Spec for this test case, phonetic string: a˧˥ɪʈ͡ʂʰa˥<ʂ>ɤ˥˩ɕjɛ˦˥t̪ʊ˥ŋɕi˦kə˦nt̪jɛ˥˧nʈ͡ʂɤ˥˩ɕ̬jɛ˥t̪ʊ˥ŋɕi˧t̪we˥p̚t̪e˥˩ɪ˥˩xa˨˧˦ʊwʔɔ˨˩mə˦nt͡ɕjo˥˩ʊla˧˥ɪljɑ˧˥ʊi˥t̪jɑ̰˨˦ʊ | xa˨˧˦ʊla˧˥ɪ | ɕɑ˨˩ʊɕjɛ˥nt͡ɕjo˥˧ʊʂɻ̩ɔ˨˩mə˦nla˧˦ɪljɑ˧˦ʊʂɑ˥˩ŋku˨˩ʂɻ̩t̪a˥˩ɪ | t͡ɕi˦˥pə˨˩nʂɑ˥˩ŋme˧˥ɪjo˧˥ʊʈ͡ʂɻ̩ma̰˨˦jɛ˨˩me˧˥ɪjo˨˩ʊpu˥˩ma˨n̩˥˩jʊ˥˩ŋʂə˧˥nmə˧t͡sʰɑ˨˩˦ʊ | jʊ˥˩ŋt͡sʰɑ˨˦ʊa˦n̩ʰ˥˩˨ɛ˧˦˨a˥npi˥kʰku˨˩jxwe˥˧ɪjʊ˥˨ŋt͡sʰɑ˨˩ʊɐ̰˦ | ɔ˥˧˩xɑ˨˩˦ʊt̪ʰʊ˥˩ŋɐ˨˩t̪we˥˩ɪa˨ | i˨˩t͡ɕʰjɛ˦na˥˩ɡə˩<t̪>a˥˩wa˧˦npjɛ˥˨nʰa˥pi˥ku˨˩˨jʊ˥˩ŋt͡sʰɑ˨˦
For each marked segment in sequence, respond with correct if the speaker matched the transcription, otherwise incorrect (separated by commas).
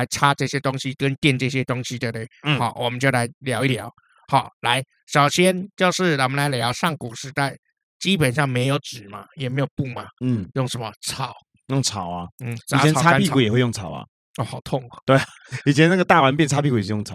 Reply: incorrect, correct